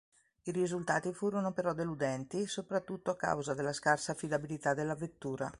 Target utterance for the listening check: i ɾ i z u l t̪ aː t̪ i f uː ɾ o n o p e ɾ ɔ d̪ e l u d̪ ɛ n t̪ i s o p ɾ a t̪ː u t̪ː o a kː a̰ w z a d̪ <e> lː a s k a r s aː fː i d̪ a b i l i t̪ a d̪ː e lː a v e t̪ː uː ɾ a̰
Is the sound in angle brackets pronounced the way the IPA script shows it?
yes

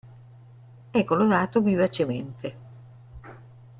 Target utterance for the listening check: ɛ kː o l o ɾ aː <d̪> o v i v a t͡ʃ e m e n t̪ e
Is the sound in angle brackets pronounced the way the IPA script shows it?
no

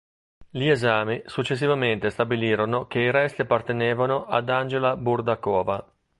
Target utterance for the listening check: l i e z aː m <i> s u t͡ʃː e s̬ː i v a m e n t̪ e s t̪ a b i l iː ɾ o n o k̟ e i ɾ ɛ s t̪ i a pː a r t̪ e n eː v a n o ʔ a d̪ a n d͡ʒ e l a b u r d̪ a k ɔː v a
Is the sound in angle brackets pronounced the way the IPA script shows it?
yes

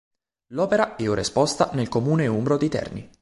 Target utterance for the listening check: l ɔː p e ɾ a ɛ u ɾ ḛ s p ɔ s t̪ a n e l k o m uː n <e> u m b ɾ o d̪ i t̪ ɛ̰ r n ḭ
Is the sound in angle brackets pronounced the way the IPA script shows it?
yes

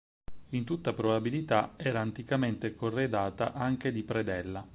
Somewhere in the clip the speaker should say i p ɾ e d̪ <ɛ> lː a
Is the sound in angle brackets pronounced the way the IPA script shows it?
yes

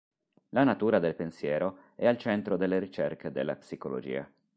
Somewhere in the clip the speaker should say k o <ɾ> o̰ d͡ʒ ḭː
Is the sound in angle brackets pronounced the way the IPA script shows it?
no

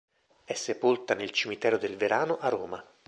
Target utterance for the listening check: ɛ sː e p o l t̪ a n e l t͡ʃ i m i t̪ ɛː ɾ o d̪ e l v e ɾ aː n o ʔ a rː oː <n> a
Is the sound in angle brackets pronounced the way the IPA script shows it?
no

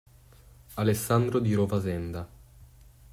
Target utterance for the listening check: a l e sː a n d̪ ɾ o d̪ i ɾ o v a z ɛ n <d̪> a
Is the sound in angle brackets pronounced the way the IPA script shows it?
yes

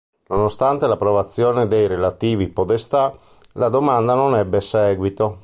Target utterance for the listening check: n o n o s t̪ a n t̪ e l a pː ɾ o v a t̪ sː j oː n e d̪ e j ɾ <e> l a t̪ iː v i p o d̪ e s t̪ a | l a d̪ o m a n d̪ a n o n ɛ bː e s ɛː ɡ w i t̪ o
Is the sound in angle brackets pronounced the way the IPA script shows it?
yes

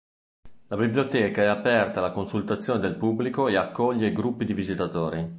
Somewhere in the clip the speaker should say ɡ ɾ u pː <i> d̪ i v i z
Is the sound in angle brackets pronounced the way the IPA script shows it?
yes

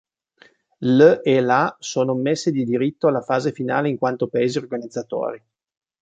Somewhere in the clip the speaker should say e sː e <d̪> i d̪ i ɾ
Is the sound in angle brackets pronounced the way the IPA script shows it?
yes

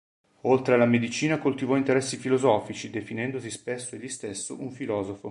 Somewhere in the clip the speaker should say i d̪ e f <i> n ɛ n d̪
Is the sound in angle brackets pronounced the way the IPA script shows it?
yes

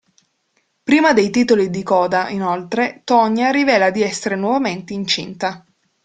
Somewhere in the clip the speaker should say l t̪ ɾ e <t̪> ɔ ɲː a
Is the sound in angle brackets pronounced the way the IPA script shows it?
yes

